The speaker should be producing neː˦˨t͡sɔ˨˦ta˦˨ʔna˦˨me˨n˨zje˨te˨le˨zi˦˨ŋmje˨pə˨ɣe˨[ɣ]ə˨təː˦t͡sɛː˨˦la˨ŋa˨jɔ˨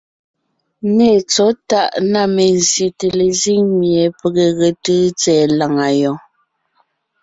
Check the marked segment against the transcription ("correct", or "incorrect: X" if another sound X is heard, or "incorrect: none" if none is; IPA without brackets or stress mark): correct